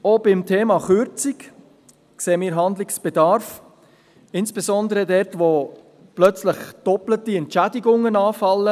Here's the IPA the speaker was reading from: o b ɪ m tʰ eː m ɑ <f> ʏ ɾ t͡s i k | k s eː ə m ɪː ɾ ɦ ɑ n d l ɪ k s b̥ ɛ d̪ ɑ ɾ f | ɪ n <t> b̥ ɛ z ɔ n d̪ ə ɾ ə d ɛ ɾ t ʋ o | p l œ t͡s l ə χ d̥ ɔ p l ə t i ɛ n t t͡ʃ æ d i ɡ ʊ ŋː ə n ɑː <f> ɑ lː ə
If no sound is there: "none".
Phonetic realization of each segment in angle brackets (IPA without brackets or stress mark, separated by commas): χ, s, f